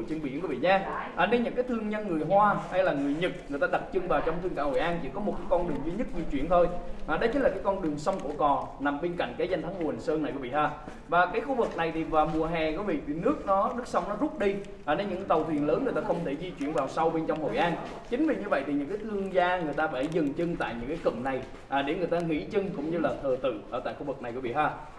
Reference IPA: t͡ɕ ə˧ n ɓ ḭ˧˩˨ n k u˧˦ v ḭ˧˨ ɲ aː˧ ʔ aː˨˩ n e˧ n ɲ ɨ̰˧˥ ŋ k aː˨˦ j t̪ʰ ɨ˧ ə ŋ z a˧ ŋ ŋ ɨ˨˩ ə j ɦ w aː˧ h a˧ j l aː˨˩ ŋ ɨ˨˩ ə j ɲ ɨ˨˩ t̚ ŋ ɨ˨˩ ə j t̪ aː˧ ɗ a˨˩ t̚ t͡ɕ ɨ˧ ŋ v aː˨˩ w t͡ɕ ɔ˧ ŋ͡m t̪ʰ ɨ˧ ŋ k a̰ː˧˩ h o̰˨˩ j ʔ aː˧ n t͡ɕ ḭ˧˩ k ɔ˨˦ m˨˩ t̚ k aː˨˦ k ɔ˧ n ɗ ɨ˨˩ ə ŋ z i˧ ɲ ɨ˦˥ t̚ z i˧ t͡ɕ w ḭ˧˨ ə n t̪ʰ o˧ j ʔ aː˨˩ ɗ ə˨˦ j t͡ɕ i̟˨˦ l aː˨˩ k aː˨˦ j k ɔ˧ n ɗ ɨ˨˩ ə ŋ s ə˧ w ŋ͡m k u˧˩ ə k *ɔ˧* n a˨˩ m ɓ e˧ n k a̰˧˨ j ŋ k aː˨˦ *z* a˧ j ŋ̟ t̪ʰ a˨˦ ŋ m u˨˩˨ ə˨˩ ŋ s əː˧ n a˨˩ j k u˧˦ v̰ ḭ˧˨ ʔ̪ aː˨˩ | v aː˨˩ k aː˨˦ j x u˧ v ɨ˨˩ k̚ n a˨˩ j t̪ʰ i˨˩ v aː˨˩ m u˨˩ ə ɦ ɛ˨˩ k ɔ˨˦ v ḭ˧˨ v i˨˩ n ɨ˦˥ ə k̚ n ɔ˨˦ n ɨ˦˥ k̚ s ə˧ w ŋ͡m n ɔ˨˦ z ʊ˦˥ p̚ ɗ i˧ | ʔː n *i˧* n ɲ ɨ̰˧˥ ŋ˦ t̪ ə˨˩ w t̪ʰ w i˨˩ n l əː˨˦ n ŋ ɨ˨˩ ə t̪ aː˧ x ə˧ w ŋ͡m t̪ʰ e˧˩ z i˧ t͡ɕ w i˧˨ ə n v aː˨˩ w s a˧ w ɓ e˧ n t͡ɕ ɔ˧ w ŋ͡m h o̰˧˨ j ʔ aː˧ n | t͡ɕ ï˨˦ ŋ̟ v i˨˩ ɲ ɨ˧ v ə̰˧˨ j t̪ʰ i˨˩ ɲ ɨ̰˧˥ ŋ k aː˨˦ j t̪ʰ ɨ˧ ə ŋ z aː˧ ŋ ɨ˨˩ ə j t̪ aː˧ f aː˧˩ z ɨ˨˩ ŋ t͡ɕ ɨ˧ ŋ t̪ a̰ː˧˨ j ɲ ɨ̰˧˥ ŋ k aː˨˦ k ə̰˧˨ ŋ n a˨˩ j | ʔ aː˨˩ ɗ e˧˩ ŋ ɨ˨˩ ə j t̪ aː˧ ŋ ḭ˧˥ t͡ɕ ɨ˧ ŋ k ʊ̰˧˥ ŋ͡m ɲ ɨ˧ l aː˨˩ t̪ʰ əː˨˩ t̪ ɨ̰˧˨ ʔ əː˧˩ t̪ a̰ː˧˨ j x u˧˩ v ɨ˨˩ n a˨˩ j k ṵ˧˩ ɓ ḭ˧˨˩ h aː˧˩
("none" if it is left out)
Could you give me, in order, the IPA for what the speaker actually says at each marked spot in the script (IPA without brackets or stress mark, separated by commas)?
ɔ˨˩, z, e˧